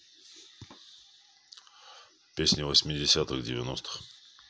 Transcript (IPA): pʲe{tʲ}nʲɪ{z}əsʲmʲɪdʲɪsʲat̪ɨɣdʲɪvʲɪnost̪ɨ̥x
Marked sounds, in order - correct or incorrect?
incorrect: sʲ, incorrect: v

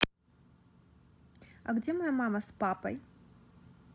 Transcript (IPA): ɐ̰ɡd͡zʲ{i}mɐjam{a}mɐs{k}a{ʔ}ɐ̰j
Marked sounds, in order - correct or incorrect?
incorrect: ɛ, correct, incorrect: p, incorrect: p

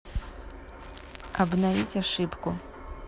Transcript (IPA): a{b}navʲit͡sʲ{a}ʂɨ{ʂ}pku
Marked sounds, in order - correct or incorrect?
correct, correct, incorrect: none

